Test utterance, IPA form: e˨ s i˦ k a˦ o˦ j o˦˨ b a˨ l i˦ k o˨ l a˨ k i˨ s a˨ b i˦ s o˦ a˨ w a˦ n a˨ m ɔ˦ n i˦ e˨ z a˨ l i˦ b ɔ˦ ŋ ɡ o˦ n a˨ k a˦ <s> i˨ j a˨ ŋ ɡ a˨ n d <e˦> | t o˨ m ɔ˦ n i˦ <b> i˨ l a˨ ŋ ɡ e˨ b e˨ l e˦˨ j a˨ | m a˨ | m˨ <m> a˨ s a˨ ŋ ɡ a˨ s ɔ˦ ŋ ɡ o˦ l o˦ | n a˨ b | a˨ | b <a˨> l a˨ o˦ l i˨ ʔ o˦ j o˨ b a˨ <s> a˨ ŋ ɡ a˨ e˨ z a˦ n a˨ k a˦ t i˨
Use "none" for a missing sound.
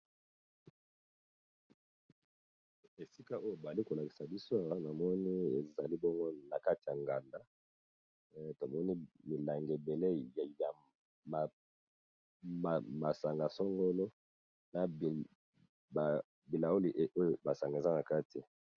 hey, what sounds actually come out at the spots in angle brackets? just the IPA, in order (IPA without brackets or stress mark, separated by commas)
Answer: t, a˦, m, m, i˨, s